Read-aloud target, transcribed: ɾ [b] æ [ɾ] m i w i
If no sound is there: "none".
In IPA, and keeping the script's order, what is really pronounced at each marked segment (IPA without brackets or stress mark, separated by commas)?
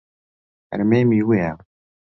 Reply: m, none